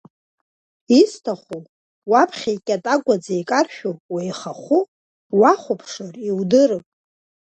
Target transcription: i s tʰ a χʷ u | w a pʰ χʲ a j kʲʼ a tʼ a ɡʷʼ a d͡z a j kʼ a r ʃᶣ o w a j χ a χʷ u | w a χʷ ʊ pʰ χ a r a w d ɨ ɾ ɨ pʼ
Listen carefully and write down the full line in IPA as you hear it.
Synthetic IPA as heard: i s tʰ a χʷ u | w a pʰ χʲ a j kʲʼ a tʼ a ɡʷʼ a d͡z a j kʼ a r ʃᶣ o w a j χ a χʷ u | w a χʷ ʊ pʰ ʂ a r i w d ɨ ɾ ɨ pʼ